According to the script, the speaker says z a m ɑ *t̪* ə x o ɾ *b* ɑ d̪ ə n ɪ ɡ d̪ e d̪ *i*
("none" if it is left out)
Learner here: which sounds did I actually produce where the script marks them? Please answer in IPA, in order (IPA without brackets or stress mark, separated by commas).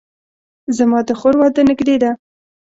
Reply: d̪, w, a